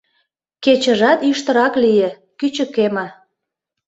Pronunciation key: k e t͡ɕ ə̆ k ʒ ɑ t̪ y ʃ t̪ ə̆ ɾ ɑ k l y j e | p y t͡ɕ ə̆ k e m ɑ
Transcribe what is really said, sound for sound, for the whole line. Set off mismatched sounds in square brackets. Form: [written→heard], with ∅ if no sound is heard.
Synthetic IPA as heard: k e t͡ɕ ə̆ [k→∅] ʒ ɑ t̪ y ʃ t̪ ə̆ ɾ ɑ k l [y→i] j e | [p→k] y t͡ɕ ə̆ k e m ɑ